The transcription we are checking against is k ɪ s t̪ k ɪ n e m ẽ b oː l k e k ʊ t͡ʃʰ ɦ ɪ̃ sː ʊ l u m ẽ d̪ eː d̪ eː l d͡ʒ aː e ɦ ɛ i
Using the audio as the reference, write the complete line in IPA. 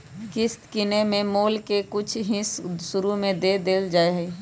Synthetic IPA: k ɪ s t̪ k ɪ n e m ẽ m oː l k e k ʊ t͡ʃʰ ɦ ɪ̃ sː ʊ ɾ u m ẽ d̪ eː d̪ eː l d͡ʒ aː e ɦ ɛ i